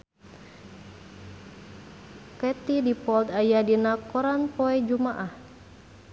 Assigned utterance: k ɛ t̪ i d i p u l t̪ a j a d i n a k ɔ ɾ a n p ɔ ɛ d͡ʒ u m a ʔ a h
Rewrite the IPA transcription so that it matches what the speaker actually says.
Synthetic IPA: k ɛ t̪ i d i p ɔ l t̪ a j a d i n a k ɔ ɾ a n p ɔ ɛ d͡ʒ u m a ʔ a h